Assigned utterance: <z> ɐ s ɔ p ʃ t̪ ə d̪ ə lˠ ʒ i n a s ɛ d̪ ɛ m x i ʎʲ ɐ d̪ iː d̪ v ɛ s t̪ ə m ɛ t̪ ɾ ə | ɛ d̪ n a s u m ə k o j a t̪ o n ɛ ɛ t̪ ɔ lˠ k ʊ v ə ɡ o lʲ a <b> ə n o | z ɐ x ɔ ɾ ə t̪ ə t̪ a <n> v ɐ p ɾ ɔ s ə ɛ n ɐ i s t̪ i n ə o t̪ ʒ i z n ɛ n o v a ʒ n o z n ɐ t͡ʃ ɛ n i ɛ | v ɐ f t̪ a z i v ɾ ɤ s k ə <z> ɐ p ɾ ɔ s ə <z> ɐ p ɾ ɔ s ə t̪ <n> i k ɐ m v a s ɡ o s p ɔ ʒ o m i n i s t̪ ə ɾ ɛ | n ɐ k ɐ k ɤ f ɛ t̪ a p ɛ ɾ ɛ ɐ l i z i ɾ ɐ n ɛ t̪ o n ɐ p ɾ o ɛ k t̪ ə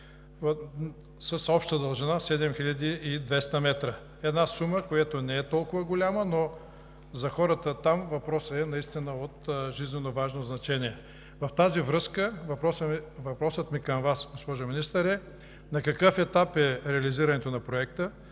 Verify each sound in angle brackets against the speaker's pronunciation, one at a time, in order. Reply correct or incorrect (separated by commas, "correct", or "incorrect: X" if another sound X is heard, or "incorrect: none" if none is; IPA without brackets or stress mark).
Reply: incorrect: s, incorrect: m, incorrect: m, incorrect: v, incorrect: v, incorrect: m